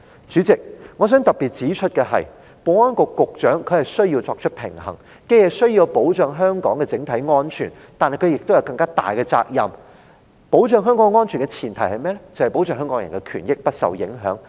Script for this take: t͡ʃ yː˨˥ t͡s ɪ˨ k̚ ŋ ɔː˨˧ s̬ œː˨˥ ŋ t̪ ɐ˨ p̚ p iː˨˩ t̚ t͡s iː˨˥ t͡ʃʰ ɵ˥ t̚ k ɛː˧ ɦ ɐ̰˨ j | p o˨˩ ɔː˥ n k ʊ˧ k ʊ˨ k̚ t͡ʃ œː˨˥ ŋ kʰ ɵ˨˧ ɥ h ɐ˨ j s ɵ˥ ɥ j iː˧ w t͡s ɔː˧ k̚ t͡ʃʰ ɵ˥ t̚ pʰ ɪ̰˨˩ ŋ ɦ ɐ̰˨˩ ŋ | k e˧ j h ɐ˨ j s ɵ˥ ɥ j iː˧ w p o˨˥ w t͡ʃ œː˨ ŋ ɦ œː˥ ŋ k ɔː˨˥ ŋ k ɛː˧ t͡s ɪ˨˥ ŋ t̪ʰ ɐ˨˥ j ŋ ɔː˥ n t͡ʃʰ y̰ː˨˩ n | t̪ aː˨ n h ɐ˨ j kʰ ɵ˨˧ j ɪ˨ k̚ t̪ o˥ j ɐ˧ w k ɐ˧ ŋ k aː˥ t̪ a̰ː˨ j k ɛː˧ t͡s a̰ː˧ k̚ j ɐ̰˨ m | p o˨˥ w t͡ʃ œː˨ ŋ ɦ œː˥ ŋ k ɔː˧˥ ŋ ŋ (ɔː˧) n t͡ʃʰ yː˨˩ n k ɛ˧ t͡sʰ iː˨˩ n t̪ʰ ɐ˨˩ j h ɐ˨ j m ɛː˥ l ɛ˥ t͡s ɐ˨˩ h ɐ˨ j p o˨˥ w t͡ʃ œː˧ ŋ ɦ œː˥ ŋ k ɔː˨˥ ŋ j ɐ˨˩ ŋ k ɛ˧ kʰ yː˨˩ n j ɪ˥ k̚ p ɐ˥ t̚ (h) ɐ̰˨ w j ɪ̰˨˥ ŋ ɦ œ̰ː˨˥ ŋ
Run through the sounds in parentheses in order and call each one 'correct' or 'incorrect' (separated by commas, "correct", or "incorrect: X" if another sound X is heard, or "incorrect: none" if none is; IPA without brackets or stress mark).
incorrect: ɔː˥, incorrect: s